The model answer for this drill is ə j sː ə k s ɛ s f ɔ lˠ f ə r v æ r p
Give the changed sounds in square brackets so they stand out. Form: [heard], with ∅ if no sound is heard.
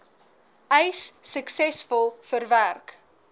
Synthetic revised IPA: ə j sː ə k s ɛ s f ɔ lˠ f ə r v æ r [k]

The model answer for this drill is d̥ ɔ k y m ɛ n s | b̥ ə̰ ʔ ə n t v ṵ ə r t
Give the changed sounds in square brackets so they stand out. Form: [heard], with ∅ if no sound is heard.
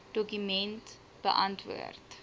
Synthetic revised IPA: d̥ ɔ k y m ɛ n [t] | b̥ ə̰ ʔ [ɐ] n t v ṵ ə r t

